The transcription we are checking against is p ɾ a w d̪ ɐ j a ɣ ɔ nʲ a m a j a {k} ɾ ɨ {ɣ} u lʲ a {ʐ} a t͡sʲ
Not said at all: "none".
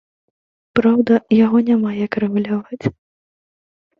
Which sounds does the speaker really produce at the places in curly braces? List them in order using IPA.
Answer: k, ɣ, v

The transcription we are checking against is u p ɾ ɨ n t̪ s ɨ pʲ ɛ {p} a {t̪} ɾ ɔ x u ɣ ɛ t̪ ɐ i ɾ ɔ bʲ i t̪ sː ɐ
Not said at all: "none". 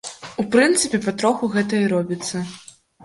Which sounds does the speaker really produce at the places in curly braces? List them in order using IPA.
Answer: p, t̪

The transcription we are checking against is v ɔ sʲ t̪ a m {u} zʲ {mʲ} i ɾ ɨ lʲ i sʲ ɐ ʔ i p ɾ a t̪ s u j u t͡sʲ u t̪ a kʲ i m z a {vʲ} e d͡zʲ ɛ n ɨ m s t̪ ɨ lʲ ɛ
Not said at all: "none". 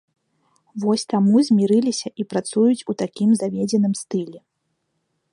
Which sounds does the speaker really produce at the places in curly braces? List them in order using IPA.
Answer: u, mʲ, vʲ

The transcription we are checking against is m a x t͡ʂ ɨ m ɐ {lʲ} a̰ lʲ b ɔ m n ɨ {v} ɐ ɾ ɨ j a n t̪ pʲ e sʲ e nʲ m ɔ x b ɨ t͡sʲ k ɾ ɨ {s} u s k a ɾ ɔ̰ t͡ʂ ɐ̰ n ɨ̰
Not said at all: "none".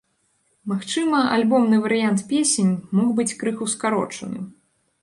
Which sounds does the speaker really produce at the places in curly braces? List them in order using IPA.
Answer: none, v, x

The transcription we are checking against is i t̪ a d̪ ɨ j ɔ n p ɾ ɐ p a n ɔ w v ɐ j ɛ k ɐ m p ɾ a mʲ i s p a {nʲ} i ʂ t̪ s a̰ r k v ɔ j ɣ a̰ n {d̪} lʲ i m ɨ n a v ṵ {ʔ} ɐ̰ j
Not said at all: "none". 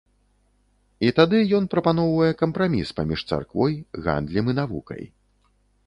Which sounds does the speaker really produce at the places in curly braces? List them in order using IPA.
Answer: mʲ, d̪, k

